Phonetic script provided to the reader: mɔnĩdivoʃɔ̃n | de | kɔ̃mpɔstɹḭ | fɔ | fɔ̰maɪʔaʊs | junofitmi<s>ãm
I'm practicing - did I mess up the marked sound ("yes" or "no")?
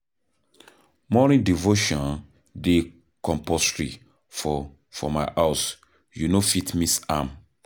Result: no